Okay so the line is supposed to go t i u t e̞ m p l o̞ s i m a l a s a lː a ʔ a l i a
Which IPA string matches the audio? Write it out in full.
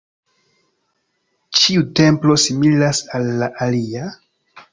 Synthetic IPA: t͡ʃ i u t e̞ m p l o̞ s i m i l a s a lː a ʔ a l i a

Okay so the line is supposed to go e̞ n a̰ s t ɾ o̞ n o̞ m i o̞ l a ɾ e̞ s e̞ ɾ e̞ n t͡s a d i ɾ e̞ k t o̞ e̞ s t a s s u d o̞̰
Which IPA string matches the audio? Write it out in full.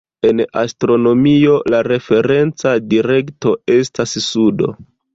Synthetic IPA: e̞ n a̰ s t ɾ o̞ n o̞ m i o̞ l a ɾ e̞ f e̞ ɾ e̞ n t͡s a d i ɾ e̞ k t o̞ e̞ s t a s s u d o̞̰

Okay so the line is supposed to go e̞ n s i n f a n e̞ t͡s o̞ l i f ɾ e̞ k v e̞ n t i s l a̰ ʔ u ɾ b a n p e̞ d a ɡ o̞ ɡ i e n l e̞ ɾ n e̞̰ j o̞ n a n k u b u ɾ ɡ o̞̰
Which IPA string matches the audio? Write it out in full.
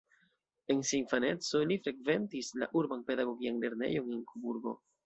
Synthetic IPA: e̞ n s i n f a n e̞ t͡s o̞ l i f ɾ e̞ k v e̞ n t i s l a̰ ʔ u ɾ b a n p e̞ d a ɡ o̞ ɡ i a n l e̞ ɾ n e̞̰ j o̞ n e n k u b u ɾ ɡ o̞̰

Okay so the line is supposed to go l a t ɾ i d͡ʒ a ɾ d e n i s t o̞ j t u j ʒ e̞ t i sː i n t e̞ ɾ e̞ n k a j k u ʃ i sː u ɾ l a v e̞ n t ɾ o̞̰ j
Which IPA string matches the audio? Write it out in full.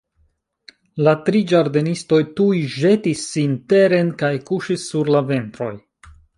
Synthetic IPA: l a t ɾ i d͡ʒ a ɾ d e n i s t o̞ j t u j ʒ e̞ t i sː i n t e̞ ɾ e̞ n k a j k u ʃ i sː u ɾ l a v e̞ n t ɾ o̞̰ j

